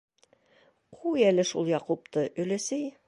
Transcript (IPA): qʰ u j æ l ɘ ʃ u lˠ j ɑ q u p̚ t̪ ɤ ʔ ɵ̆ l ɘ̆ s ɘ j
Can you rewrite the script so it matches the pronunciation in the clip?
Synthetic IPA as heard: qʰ u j æ l ɘ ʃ u lˠ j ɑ q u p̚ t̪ ɤ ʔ ɵ̆ l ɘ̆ s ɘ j